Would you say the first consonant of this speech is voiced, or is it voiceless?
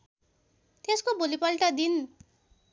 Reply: voiceless